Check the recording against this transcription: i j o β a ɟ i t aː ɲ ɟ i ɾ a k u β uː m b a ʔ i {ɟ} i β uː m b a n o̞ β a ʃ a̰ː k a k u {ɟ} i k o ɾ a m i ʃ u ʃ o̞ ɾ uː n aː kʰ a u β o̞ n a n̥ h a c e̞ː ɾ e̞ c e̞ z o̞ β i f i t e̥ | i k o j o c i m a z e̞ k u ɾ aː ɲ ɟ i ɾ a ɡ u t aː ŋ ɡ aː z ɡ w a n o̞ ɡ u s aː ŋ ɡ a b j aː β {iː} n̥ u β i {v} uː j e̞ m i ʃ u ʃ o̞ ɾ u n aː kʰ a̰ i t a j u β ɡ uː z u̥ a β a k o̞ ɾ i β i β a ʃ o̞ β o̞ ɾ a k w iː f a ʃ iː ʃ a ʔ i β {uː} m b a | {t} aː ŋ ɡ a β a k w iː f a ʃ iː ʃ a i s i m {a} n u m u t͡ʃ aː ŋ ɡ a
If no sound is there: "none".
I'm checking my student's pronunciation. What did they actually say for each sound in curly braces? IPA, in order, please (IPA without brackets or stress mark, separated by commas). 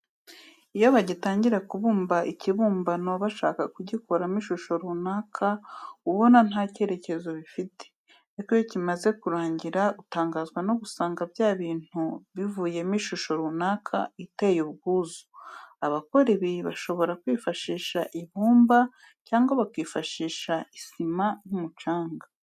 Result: c, ɟ, iː, v, uː, c, a